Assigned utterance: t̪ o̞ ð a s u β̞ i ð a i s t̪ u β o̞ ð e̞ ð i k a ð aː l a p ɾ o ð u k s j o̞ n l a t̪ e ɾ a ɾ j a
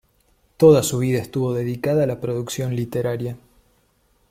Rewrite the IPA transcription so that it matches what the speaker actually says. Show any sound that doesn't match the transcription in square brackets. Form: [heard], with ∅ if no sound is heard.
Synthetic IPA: t̪ o̞ ð a s u β̞ i ð a [e] s t̪ u β o̞ ð e̞ ð i k a ð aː l a p ɾ o ð u k s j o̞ n l [i] t̪ e ɾ a ɾ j a